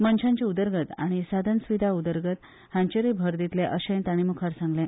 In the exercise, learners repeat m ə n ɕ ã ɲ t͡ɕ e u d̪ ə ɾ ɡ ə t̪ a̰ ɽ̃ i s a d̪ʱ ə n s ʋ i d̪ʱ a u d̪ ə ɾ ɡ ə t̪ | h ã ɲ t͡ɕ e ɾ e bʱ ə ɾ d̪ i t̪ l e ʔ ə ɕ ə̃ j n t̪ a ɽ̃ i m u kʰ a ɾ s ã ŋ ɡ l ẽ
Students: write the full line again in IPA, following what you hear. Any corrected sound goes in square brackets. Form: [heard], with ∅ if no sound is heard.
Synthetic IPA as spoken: m ə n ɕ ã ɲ t͡ɕ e u d̪ ə ɾ ɡ ə t̪ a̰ ɽ̃ i s a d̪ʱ ə n s ʋ i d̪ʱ a u d̪ ə ɾ ɡ ə t̪ | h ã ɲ t͡ɕ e ɾ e bʱ ə ɾ d̪ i t̪ l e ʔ ə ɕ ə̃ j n t̪ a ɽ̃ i m u kʰ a ɾ s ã ŋ ɡ l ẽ